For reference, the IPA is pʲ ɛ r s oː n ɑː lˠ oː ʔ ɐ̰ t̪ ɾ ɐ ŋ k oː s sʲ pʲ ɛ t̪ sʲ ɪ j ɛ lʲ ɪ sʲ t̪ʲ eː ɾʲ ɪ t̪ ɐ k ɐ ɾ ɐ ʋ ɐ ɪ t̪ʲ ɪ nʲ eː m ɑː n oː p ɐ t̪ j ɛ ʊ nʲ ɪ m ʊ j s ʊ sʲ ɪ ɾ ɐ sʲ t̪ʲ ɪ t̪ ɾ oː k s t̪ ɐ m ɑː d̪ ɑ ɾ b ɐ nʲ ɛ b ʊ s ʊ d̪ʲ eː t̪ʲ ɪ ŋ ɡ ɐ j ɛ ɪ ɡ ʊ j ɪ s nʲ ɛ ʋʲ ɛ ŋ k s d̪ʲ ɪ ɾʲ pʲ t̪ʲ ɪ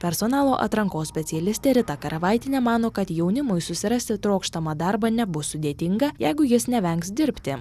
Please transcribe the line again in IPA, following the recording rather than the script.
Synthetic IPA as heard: pʲ ɛ ɾ s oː n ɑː lˠ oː ʔ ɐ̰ t̪ ɾ ɐ ŋ k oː s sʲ pʲ ɛ t̪ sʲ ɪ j ɛ lʲ ɪ sʲ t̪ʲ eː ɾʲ ɪ t̪ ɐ k ɐ ɾ ɐ ʋ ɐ ɪ t̪ʲ ɪ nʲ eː m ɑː n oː k ɐ t̪ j ɛ ʊ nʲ ɪ m ʊ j s ʊ sʲ ɪ ɾ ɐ sʲ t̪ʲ ɪ t̪ ɾ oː k ʃ t̪ ɐ m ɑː d̪ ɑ ɾ b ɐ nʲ ɛ b ʊ s ʊ d̪ʲ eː t̪ʲ ɪ ŋ ɡ ɐ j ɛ ɪ ɡ ʊ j ɪ s nʲ ɛ ʋʲ ɛ ŋ k s d̪ʲ ɪ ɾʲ pʲ t̪ʲ ɪ

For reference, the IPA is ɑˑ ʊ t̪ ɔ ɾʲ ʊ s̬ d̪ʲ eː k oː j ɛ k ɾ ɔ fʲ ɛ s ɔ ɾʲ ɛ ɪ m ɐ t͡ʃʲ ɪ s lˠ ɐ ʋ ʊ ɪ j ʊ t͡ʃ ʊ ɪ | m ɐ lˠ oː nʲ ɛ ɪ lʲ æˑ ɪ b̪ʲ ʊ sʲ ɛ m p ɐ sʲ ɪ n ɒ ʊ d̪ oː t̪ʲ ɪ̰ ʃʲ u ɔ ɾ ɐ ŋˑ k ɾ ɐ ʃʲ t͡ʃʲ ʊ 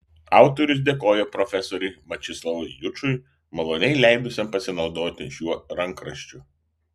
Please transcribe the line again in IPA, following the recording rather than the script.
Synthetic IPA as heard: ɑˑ ʊ t̪ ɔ ɾʲ ʊ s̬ d̪ʲ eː k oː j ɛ p ɾ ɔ fʲ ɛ s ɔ ɾʲ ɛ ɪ m ɐ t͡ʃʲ ɪ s lˠ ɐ ʋ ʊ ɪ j ʊ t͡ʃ ʊ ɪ | m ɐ lˠ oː nʲ ɛ ɪ lʲ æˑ ɪ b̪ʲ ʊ sʲ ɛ m p ɐ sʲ ɪ n ɒ ʊ d̪ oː t̪ʲ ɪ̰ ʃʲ u ɔ ɾ ɐ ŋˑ k ɾ ɐ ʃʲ t͡ʃʲ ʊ

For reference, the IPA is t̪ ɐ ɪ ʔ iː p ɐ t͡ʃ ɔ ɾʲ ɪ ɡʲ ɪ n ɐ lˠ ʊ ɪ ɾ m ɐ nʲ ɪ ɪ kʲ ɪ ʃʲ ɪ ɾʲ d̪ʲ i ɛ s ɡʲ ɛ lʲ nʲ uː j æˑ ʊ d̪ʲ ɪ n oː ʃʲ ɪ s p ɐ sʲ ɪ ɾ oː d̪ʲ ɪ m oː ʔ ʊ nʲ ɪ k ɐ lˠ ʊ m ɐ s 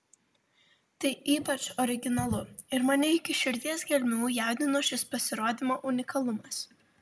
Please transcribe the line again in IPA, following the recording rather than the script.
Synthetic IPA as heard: t̪ ɐ ɪ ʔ iː p ɐ t͡ʃ ɔ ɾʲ ɪ ɡʲ ɪ n ɐ lˠ ʊ ɪ ɾ m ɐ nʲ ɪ ɪ kʲ ɪ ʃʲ ɪ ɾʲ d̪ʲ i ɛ s ɡʲ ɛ lʲ mʲ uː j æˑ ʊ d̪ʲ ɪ n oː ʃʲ ɪ s p ɐ sʲ ɪ ɾ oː d̪ʲ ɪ m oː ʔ ʊ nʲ ɪ k ɐ lˠ ʊ m ɐ s

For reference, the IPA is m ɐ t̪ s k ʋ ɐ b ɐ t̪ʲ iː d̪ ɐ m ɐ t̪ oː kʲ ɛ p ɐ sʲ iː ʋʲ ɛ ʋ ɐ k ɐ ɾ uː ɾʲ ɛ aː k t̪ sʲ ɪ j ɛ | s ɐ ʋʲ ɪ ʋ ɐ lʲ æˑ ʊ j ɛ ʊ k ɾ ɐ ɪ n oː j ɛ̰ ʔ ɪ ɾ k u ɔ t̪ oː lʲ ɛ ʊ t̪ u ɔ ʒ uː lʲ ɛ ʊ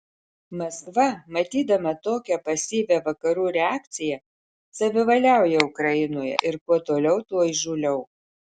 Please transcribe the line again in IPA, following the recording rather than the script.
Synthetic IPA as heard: m ɐ s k ʋ ɐ m ɐ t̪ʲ iː d̪ ɐ m ɐ t̪ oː kʲ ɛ p ɐ sʲ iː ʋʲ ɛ ʋ ɐ k ɐ ɾ uː ɾʲ ɛ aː k t̪ sʲ ɪ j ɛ | s ɐ ʋʲ ɪ ʋ ɐ lʲ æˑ ʊ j ɛ ʊ k ɾ ɐ ɪ n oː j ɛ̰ ʔ ɪ ɾ k u ɔ t̪ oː lʲ ɛ ʊ t̪ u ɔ ʒ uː lʲ ɛ ʊ

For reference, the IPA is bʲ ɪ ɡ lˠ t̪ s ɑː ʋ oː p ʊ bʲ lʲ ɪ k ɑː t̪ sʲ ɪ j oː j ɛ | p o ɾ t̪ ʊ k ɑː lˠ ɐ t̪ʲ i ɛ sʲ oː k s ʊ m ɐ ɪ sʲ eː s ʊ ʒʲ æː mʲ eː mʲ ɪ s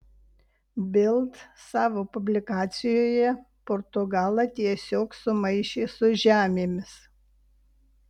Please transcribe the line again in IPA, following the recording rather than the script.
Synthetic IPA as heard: bʲ ɪ lˠ t̪ s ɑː ʋ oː p ʊ bʲ lʲ ɪ k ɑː t̪ sʲ ɪ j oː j ɛ | p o ɾ t̪ ʊ ɡ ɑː lˠ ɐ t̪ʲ i ɛ sʲ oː k s ʊ m ɐ ɪ ʃʲ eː s ʊ ʒʲ æː mʲ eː mʲ ɪ s

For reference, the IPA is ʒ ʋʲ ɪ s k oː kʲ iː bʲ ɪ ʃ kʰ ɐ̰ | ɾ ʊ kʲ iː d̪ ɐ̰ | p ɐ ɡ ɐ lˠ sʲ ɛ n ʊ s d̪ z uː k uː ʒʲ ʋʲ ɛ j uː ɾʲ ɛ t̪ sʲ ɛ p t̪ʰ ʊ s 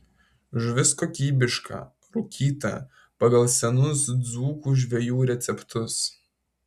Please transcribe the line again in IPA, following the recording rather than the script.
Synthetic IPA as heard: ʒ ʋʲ ɪ s k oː kʲ iː bʲ ɪ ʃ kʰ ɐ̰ | ɾ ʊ kʲ iː t̪ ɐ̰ | p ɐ ɡ ɐ lˠ sʲ ɛ n ʊ s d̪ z uː k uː ʒʲ ʋʲ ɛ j uː ɾʲ ɛ t̪ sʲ ɛ p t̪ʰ ʊ s

